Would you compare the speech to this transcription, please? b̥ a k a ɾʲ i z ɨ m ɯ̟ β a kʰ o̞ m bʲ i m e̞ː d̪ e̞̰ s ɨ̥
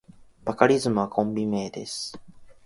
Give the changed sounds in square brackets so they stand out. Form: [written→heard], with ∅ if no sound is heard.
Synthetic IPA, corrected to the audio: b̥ a k a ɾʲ i z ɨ m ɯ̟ β a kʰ [o̞→õ̞] m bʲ i m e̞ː d̪ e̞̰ s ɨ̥